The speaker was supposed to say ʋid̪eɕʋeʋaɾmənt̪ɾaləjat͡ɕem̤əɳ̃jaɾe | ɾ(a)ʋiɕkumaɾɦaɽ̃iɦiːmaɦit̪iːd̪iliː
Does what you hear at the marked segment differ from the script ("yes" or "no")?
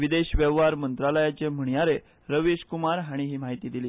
yes